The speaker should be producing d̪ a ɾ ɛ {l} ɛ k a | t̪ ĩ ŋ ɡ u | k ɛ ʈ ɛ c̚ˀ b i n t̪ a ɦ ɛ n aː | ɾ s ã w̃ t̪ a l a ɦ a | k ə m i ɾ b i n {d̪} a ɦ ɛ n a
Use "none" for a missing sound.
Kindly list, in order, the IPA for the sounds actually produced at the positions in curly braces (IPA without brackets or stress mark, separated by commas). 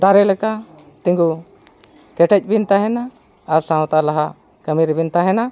l, t̪